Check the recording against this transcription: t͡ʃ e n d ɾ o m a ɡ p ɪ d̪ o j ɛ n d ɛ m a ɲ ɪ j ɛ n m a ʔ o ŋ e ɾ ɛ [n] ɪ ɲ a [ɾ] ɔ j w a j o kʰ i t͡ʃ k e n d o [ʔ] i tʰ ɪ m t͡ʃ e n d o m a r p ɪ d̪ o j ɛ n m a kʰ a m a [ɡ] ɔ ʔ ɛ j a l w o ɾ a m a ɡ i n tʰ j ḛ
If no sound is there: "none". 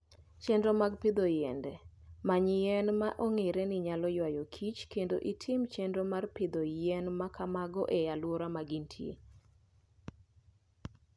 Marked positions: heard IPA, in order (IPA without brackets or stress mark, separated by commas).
n, l, ʔ, ɡ